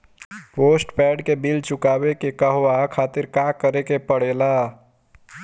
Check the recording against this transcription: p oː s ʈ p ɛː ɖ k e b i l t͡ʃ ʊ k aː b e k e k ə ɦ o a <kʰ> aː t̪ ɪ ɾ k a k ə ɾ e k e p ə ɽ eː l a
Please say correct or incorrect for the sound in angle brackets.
correct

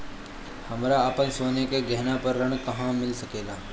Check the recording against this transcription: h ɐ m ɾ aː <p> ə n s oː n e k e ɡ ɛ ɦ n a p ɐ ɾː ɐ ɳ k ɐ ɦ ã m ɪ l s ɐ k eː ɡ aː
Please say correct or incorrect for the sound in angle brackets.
correct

